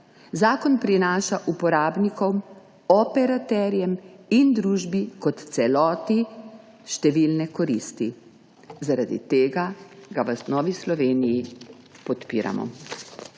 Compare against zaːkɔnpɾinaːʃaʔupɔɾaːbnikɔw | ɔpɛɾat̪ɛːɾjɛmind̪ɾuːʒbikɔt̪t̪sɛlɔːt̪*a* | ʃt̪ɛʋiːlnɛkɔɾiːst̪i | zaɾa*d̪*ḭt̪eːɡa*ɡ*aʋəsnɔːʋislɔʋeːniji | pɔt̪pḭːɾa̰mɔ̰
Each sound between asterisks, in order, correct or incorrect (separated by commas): incorrect, correct, correct